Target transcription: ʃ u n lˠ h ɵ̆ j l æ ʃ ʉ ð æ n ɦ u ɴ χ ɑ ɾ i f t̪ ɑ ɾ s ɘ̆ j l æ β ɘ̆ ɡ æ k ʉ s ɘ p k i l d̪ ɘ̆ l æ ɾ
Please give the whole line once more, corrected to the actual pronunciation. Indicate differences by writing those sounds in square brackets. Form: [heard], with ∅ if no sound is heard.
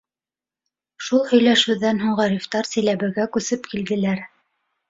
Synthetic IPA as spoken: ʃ u [∅] lˠ h ɵ̆ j l æ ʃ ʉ ð æ n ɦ u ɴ [ʁ] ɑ ɾ i f t̪ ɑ ɾ s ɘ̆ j l æ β ɘ̆ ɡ æ k ʉ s ɘ p k i l d̪ ɘ̆ l æ ɾ